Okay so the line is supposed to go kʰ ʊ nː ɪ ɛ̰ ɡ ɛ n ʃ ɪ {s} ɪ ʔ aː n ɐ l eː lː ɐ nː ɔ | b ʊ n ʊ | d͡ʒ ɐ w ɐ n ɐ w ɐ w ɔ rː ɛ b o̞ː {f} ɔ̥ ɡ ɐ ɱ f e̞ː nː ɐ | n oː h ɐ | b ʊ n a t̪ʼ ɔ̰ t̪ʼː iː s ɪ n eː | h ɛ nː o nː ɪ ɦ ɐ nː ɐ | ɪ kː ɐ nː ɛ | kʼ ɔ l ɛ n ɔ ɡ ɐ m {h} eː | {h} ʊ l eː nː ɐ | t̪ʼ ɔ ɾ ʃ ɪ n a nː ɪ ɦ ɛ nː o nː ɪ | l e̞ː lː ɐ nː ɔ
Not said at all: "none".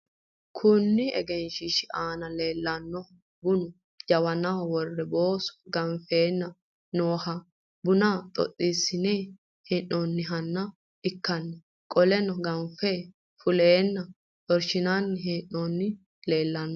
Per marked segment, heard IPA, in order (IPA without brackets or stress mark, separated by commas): ʃ, s, f, f